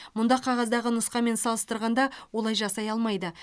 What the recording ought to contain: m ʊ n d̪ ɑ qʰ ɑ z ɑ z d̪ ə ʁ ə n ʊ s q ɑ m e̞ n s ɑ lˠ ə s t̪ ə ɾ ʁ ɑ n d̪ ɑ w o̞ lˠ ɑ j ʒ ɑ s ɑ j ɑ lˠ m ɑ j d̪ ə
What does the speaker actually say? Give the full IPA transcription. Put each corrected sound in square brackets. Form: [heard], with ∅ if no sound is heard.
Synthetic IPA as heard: m ʊ n d̪ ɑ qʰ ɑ [ʁ] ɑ z d̪ [ɑ] ʁ ə n ʊ s q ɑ m e̞ n s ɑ lˠ ə s t̪ ə ɾ ʁ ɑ n d̪ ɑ w o̞ lˠ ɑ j ʒ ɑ s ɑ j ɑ lˠ m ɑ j d̪ ə

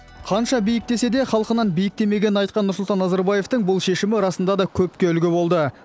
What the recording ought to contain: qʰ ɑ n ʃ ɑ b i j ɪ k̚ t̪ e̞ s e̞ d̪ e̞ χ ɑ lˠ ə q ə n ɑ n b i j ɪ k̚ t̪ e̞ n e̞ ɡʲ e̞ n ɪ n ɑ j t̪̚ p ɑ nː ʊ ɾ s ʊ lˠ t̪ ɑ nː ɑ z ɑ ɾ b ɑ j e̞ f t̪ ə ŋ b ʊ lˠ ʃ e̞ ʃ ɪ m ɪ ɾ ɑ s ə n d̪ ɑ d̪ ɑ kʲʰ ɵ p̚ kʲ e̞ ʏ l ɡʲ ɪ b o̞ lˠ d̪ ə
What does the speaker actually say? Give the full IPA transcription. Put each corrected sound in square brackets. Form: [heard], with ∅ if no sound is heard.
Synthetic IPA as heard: qʰ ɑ n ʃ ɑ b i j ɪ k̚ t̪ e̞ s e̞ d̪ e̞ χ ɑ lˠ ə q ə n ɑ n b i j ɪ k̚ t̪ e̞ [m] e̞ ɡʲ e̞ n ɪ n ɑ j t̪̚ [q] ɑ nː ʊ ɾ s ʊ lˠ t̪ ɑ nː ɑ z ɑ ɾ b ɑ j e̞ f t̪ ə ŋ b ʊ lˠ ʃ e̞ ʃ ɪ m ɪ ɾ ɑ s ə n d̪ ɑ d̪ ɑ kʲʰ ɵ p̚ kʲ e̞ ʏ l ɡʲ ɪ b o̞ lˠ d̪ ə

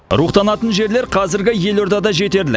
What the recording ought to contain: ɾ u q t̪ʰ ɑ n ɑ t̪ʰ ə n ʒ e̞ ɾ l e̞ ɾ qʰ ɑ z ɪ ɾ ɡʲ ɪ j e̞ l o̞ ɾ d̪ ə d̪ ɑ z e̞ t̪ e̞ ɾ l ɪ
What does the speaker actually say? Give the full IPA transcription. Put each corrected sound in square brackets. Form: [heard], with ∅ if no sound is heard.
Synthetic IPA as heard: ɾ u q [t̪] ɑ n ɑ [t̪] ə n ʒ e̞ ɾ l e̞ ɾ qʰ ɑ z ɪ ɾ ɡʲ ɪ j e̞ l o̞ ɾ d̪ [ɑ] d̪ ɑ [ʒ] e̞ t̪ e̞ ɾ l ɪ

